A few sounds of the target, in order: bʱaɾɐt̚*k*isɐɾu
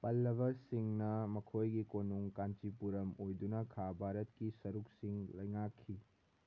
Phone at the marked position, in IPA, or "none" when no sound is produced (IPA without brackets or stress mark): k